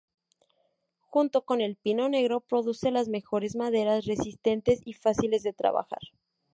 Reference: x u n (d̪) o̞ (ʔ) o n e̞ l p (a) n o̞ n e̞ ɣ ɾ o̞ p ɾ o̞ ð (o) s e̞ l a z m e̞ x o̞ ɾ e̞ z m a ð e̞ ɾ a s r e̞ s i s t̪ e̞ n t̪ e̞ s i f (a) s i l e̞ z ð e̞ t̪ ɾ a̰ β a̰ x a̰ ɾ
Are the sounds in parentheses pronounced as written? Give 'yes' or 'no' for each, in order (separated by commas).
no, no, no, no, yes